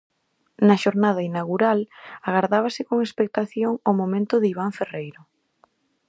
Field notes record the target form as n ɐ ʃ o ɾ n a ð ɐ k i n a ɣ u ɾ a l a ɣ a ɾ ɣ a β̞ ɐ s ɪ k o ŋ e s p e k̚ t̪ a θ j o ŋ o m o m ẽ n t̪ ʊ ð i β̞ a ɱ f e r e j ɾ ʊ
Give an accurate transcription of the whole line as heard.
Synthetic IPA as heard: n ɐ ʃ o ɾ n a ð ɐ i n a ɣ u ɾ a l a ɣ a ɾ ð a β̞ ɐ s ɪ k o ŋ e s p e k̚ t̪ a θ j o ŋ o m o m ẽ n t̪ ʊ ð i β̞ a ɱ f e r e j ɾ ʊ

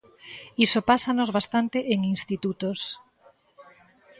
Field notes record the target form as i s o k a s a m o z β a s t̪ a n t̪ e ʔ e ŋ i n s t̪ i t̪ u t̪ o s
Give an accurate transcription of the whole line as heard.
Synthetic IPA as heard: i s o p a s a n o z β a s t̪ a n t̪ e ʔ e ŋ i n s t̪ i t̪ u t̪ o s

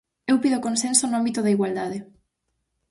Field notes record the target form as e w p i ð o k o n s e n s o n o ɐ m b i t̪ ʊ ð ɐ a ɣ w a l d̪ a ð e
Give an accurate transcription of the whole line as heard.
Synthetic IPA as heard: e w p i ð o k o n s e n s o n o a m b i t̪ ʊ ð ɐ i ɣ w a l d̪ a ð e

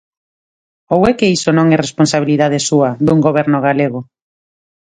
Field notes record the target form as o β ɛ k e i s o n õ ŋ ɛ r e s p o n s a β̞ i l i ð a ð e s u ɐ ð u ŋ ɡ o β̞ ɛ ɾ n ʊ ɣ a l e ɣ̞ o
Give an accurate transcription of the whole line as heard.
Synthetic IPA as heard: o w ɛ k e i s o n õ ŋ ɛ r e s p o n s a β̞ i l i ð a ð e s u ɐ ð u ŋ ɡ o β̞ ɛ ɾ n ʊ ɣ a l e ɣ̞ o

